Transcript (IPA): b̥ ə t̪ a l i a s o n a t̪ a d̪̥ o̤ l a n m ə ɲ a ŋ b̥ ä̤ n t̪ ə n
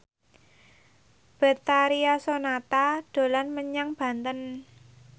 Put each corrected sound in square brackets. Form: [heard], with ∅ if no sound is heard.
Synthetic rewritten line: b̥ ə t̪ a [ɾ] i a s o n a t̪ a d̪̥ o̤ l a n m ə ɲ a ŋ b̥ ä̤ n t̪ ə n